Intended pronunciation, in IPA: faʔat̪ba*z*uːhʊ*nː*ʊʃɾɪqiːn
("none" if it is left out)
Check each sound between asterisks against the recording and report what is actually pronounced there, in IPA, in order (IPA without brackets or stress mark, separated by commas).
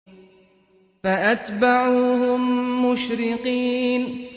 ʕ, mː